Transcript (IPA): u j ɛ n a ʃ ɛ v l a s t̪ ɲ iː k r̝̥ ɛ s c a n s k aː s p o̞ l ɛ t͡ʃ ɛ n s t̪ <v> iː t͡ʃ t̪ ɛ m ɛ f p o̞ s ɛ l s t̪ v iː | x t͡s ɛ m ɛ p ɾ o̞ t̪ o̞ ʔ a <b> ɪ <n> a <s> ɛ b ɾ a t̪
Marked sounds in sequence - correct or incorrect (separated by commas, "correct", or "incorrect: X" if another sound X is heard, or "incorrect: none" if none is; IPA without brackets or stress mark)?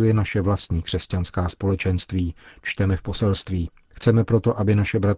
correct, correct, correct, incorrect: ʃ